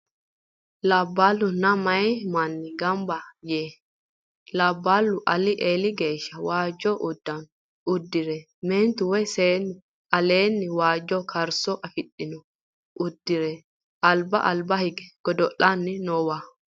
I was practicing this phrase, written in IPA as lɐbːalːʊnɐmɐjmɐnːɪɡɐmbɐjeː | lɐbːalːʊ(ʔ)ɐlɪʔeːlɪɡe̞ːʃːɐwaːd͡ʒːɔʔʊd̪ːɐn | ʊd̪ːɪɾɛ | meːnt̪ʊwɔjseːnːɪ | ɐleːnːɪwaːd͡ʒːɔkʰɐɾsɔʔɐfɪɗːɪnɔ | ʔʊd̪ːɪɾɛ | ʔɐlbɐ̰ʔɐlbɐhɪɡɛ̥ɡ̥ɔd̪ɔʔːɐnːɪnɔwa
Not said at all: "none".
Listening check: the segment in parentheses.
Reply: ʔ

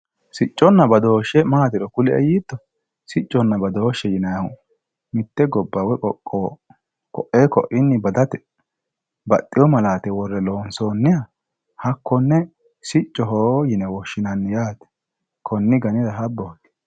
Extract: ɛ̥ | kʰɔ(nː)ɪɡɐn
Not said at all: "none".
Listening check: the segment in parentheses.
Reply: nː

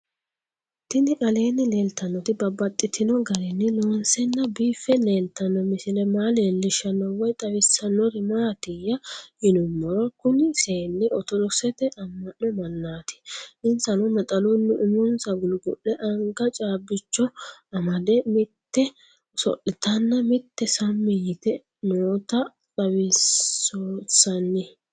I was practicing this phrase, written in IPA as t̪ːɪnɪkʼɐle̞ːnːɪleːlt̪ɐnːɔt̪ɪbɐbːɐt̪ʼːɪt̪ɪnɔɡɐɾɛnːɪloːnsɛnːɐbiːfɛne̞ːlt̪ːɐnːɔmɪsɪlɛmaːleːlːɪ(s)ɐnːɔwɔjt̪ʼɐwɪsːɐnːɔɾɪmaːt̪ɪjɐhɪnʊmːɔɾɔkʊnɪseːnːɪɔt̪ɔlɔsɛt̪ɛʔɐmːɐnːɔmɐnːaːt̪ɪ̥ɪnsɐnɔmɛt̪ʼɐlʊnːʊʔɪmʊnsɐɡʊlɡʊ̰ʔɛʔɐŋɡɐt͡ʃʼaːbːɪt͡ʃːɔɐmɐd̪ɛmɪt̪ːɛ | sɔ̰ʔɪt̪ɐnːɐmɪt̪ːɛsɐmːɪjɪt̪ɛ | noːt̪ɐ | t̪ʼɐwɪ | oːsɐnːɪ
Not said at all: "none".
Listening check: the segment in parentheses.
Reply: ʃ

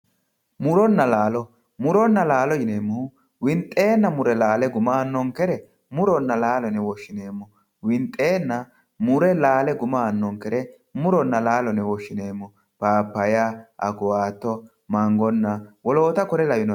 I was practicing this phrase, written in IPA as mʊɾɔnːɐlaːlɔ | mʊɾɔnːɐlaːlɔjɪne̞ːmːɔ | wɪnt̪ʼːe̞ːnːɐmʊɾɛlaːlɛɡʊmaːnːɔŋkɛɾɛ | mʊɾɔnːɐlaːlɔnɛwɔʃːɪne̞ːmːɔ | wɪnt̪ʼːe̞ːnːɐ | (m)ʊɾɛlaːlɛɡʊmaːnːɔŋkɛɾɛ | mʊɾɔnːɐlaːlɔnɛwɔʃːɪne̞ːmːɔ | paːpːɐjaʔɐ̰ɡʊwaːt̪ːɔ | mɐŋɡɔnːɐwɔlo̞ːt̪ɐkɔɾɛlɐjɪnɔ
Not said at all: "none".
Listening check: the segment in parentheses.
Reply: m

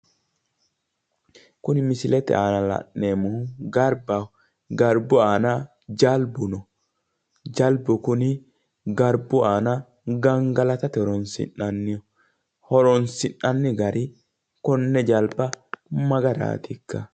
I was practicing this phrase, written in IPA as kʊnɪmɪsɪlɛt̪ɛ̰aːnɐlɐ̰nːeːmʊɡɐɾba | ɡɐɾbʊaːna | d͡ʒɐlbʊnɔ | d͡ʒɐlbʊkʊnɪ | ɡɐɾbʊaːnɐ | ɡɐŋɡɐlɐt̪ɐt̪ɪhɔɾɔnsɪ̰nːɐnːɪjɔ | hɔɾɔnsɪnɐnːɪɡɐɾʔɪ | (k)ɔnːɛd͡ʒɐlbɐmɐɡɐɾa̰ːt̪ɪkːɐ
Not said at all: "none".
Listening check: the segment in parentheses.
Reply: k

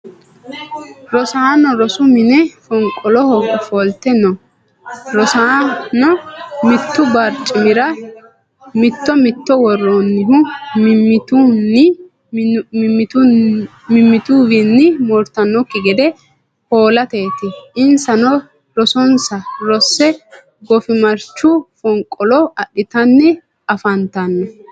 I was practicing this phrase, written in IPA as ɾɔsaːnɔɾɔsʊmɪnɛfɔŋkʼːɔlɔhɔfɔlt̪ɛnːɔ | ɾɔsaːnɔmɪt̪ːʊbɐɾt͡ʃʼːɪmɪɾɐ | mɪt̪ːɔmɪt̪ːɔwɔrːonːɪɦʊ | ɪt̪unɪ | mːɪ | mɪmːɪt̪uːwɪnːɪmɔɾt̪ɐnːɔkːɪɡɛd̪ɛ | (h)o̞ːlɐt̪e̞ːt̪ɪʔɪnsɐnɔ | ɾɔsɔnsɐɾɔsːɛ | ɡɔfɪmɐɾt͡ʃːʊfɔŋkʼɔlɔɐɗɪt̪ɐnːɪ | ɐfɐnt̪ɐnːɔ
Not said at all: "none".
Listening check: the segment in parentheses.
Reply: h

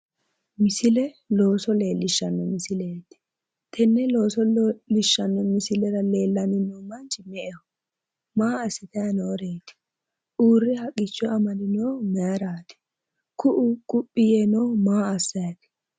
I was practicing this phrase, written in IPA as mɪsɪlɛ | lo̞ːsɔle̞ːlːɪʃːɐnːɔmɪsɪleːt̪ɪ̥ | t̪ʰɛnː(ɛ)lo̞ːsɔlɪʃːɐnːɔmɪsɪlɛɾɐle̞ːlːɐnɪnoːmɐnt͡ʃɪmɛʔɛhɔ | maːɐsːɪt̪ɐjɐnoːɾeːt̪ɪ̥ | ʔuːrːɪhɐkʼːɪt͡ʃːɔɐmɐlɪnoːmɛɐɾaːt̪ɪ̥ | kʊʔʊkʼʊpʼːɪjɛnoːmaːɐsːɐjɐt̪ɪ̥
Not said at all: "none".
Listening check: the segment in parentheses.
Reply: ɛ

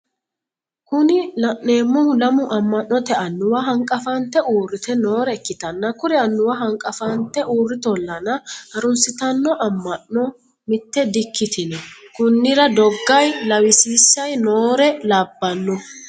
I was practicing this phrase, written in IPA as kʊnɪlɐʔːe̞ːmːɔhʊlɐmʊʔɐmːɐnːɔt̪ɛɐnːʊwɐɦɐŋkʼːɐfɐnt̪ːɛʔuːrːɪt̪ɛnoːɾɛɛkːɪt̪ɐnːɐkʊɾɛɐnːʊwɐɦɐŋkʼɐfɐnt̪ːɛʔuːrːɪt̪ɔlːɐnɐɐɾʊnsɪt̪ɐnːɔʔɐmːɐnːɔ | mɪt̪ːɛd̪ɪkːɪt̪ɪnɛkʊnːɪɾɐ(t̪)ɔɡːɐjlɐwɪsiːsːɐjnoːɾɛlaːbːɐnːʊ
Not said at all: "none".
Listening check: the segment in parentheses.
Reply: d̪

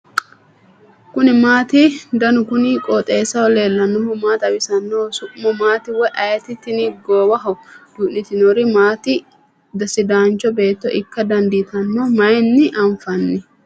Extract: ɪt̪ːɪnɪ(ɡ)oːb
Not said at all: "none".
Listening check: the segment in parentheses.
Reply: ɡ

